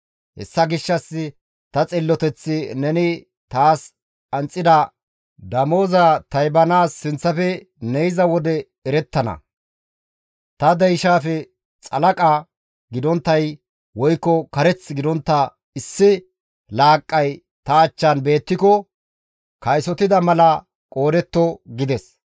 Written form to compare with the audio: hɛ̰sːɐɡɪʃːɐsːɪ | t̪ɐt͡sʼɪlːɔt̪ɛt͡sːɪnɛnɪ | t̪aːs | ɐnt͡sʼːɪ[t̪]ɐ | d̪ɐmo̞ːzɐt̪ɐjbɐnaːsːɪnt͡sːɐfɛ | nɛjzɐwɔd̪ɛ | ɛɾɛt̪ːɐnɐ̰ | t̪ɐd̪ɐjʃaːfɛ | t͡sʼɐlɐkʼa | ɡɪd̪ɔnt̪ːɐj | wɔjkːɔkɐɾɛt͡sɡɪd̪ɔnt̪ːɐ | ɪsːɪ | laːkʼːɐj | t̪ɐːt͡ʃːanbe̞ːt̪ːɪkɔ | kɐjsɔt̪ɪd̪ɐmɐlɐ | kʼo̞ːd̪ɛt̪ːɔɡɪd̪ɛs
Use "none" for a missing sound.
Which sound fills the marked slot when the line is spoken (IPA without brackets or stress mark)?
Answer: d̪